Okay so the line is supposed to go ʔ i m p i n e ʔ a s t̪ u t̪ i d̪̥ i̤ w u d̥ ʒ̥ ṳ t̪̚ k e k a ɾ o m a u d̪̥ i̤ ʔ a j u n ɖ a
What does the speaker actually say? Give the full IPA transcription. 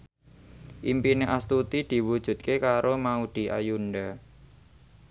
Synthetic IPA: ʔ i m p i n e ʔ a s t̪ u t̪ i d̪̥ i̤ w u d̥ ʒ̥ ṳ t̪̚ k e k a ɾ o m a u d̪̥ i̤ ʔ a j u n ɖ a